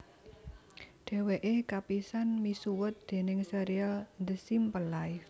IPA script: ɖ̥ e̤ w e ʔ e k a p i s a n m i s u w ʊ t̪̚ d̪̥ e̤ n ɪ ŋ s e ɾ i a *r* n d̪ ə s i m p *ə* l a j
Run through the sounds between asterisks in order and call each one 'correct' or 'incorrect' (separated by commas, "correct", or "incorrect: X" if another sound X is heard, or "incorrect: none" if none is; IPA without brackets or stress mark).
incorrect: l, correct